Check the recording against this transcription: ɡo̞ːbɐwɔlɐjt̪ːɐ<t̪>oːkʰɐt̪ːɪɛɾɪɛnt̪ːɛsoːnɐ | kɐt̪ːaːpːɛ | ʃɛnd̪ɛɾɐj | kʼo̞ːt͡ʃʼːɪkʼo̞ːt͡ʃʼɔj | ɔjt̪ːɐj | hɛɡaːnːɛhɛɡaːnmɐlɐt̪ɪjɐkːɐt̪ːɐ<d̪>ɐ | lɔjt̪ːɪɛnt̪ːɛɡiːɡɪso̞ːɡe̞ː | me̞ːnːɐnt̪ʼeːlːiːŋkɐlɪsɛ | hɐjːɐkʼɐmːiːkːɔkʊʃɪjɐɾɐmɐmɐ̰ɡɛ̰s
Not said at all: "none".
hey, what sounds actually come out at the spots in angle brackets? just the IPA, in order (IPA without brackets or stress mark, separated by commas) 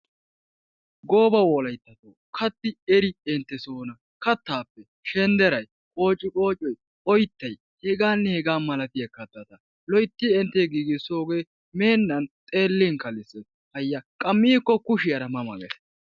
t̪, t̪